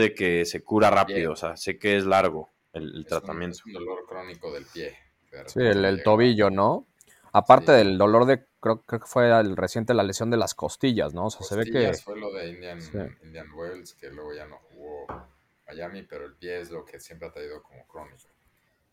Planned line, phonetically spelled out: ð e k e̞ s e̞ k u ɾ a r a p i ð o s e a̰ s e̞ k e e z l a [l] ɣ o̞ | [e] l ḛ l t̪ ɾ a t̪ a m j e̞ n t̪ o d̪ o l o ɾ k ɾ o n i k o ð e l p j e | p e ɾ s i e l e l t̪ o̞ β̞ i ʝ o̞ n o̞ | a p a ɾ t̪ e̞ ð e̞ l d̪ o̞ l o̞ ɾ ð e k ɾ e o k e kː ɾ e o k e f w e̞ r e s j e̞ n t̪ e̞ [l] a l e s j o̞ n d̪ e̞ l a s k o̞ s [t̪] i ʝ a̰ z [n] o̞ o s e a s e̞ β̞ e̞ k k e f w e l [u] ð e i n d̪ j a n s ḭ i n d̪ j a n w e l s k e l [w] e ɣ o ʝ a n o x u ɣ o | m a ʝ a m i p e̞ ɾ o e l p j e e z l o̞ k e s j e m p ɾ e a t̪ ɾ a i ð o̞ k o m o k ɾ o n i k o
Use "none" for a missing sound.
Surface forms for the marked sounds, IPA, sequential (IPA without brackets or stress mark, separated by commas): ɾ, e, l, t̪, n, o, w